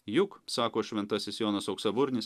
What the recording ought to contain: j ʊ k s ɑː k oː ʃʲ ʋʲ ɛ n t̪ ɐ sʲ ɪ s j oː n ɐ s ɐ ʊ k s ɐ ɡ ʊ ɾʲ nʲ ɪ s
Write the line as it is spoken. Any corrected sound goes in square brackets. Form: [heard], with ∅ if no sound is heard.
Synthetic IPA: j ʊ k s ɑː k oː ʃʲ ʋʲ ɛ n t̪ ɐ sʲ ɪ s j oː n ɐ s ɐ ʊ k s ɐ [b] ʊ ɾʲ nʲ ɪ s